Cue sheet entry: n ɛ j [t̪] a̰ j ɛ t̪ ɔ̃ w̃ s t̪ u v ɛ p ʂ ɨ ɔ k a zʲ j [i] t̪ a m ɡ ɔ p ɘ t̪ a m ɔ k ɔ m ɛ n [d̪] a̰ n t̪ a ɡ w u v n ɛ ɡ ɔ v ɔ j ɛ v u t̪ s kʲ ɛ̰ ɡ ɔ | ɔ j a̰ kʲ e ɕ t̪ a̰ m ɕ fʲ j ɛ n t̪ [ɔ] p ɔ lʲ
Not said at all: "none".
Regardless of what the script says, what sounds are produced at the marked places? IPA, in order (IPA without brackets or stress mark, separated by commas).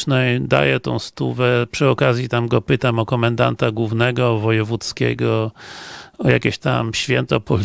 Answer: d̪, i, d̪, ɔ